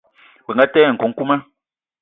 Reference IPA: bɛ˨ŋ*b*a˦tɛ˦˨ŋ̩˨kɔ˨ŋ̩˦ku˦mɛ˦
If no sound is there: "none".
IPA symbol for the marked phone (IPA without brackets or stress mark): ɡ